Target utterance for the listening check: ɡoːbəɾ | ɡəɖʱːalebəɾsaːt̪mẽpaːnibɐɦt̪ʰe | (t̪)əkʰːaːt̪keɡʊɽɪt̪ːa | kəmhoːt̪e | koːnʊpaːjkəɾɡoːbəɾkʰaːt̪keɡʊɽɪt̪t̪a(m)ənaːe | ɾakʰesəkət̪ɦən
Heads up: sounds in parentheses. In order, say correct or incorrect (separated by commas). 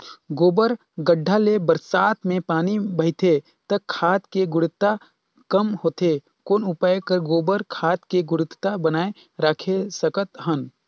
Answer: correct, incorrect